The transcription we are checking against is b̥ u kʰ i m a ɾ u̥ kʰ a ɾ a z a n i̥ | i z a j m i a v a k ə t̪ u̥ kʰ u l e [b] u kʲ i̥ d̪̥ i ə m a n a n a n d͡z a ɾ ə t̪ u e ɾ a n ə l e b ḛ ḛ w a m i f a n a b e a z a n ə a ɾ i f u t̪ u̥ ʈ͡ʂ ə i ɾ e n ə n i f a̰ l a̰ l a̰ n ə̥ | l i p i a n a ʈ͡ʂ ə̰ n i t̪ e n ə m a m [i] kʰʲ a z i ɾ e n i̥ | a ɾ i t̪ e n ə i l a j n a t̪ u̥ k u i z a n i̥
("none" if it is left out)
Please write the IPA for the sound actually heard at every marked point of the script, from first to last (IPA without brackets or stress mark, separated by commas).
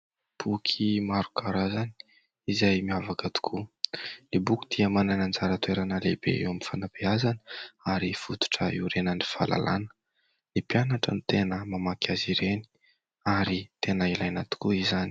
b, a